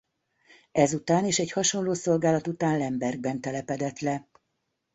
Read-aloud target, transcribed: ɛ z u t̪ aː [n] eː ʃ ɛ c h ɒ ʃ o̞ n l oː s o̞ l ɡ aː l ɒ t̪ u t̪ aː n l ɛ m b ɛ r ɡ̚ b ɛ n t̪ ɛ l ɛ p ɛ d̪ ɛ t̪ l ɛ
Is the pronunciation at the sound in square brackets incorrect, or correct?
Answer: correct